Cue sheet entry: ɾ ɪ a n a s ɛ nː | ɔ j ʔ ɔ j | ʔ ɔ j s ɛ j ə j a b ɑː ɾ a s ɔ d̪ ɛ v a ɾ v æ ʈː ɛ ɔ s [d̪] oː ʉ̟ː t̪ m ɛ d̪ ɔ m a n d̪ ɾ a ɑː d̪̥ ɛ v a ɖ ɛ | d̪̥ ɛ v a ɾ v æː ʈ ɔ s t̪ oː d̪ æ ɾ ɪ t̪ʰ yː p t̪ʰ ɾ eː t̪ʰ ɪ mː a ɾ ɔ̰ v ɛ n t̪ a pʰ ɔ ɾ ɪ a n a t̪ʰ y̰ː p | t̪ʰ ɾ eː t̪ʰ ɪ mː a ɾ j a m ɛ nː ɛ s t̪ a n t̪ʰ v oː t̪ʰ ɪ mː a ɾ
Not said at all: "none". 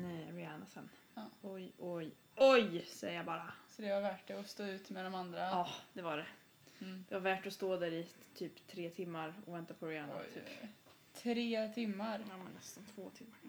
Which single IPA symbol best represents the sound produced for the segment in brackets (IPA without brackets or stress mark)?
t̪